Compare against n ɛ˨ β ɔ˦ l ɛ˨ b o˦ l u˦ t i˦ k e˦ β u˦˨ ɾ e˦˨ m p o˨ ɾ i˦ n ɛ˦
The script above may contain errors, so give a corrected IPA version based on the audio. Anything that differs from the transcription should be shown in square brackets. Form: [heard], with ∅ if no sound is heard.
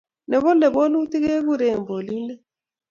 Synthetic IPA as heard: n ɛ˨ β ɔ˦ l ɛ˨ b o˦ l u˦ t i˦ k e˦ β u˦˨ ɾ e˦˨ m [b] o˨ [l] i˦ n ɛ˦